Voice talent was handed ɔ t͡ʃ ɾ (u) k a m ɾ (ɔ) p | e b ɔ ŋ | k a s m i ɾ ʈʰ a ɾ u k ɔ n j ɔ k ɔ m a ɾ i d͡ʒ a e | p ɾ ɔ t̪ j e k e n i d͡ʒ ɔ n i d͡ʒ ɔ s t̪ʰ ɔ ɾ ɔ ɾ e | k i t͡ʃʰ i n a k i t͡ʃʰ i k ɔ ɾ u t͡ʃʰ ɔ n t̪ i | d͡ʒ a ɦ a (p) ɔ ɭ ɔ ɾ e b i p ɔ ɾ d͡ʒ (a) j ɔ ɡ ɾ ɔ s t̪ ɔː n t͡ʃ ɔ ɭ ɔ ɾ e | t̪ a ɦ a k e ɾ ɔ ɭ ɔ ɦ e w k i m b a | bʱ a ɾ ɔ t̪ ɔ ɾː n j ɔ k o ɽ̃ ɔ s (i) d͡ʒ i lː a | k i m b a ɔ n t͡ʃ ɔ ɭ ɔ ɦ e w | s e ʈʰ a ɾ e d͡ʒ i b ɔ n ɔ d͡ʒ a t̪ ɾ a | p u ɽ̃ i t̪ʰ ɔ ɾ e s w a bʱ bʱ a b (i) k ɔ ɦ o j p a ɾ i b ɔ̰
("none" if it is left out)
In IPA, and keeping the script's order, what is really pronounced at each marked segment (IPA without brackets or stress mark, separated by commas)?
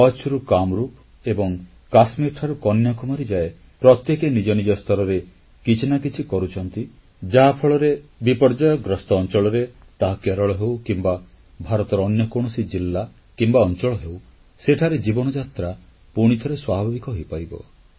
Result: u, u, pʰ, a, i, i